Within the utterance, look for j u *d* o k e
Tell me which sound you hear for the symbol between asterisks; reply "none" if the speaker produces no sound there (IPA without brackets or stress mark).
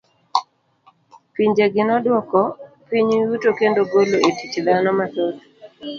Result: t